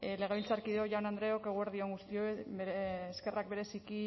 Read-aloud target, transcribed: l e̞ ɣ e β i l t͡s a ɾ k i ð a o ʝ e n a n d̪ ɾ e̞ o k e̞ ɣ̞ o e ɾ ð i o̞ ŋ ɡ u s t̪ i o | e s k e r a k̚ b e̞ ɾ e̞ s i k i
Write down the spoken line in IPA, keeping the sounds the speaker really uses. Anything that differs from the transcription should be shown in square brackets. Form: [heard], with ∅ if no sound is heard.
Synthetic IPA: l e̞ ɣ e β i l t͡s a ɾ k i ð [e] o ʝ [a] n a n d̪ ɾ e̞ o k e̞ ɣ̞ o e ɾ ð i o̞ ŋ ɡ u s t̪ i o | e s k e r a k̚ b e̞ ɾ e̞ s i k i